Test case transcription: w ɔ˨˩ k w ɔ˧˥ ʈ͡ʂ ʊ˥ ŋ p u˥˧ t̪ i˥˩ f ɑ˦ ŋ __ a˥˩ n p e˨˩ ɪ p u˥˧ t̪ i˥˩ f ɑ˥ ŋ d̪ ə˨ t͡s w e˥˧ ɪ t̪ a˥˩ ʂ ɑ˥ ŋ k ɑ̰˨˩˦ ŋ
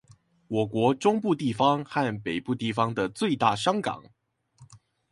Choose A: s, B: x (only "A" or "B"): B